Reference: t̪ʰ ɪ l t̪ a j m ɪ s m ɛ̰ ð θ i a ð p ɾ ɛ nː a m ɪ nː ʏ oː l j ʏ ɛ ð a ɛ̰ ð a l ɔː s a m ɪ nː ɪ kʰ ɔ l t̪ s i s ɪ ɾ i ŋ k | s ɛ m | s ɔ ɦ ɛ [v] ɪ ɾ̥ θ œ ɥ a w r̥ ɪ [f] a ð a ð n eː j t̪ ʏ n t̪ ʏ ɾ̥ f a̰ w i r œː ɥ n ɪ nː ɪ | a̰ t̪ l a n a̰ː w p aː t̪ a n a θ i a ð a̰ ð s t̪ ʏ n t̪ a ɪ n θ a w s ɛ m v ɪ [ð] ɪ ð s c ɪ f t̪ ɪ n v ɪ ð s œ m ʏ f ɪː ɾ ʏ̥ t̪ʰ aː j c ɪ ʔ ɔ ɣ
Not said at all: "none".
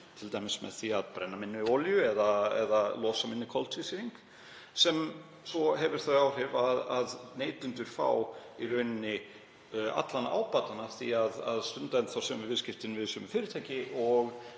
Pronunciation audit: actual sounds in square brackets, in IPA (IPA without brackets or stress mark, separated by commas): v, v, v